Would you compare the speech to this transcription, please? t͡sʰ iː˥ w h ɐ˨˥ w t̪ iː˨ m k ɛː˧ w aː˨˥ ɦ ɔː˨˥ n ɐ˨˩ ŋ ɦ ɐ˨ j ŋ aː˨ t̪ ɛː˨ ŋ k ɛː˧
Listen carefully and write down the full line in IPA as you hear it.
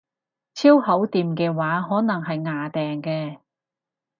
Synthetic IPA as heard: t͡sʰ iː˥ w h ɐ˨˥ w t̪ iː˨ m k ɛː˧ w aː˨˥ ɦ ɔː˨˥ n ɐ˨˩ ŋ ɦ ɐ˨ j ŋ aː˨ t̪ ɛː˨ ŋ k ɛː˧